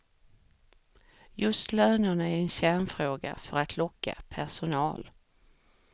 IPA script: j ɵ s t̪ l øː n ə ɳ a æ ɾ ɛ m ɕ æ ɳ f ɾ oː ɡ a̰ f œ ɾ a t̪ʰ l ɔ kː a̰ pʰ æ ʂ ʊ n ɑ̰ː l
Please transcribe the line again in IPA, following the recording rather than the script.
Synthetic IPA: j ɵ s t̪ l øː n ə ɳ a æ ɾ ɛ n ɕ æ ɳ f ɾ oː ɡ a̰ f œ ɾ a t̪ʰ l ɔ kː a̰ pʰ æ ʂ ʊ n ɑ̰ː l